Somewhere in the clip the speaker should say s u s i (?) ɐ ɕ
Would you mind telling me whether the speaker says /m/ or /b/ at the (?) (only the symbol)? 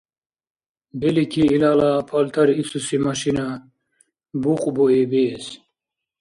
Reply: m